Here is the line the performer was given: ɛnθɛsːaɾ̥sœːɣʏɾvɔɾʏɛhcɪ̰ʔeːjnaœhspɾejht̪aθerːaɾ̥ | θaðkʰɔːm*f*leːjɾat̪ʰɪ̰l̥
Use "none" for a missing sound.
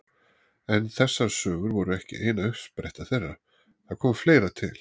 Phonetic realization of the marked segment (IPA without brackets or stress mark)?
f